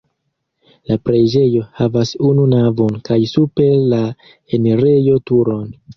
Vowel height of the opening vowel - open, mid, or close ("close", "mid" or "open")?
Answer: open